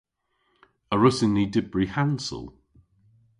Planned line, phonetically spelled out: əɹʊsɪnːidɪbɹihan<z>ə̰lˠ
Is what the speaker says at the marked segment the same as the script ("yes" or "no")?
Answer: no